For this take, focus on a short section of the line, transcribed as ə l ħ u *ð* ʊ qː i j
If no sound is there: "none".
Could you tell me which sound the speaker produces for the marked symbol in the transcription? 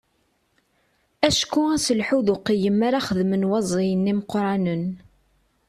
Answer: ð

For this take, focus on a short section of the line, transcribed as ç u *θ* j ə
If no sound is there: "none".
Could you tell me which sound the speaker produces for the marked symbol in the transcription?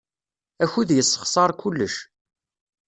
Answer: ð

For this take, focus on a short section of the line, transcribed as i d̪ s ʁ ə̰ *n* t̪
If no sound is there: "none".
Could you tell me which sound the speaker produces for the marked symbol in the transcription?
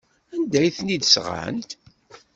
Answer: n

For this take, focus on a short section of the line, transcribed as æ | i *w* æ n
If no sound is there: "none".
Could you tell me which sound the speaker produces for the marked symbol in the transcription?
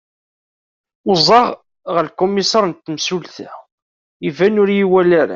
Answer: v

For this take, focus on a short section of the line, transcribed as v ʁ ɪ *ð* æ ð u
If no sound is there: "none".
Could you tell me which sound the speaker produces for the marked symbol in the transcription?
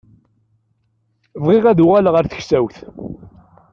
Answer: ʁ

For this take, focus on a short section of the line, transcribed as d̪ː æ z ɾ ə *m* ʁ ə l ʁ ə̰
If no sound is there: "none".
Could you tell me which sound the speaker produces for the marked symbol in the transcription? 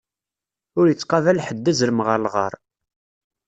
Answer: m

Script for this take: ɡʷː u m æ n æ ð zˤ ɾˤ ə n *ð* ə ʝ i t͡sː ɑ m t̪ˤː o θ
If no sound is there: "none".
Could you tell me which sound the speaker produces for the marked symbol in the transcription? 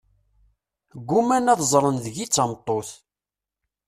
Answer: ð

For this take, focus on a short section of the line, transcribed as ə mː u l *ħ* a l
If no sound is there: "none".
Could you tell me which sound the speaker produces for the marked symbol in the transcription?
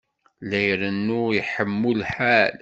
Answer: ħ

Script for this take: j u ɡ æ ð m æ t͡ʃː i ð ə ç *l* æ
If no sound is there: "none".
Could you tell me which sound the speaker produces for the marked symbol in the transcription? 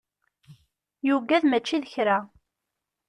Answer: ɾ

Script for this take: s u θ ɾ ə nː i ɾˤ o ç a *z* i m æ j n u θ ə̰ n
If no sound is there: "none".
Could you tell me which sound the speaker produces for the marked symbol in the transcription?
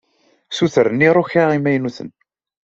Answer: ʁ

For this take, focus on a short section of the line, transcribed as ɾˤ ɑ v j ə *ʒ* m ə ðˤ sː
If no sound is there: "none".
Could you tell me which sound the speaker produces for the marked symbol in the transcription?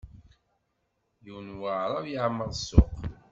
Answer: ʕ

